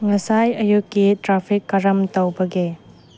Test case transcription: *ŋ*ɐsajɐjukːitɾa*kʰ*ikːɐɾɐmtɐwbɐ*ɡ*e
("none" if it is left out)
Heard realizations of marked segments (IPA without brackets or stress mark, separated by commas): ŋ, pʰ, ɡ